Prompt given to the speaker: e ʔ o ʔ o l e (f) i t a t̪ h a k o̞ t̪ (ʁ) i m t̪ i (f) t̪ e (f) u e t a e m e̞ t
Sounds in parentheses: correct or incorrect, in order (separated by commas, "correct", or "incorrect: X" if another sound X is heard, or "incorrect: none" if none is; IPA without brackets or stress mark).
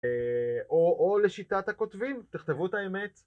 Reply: incorrect: ʃ, incorrect: v, incorrect: χ, incorrect: v